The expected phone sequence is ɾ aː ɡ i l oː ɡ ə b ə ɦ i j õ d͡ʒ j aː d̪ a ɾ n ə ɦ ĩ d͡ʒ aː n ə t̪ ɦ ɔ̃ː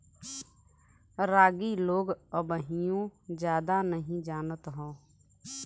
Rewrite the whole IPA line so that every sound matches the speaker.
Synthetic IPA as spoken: ɾ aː ɡ i l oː ɡ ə b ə ɦ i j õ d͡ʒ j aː d̪ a n ə ɦ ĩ d͡ʒ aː n ə t̪ ɦ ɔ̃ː